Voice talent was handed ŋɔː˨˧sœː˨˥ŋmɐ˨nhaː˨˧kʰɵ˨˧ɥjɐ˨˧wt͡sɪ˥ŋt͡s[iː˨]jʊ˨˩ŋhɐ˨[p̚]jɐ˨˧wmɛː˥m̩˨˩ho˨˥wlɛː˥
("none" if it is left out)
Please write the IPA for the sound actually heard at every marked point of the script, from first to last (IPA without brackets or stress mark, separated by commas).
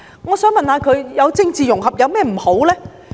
iː˨, p̚